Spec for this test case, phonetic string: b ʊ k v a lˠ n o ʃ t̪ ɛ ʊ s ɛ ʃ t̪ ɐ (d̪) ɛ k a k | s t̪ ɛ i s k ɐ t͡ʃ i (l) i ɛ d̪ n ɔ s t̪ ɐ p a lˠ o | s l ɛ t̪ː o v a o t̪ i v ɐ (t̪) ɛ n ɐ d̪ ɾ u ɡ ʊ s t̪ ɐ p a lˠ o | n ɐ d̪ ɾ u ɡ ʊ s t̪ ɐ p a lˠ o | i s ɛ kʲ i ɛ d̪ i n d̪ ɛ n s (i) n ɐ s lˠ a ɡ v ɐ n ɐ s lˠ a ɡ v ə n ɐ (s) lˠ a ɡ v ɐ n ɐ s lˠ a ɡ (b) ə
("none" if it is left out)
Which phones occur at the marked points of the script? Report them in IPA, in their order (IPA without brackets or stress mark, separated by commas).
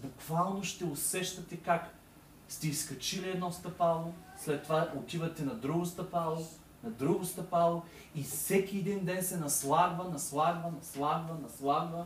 t̪, l, t̪, ɛ, s, v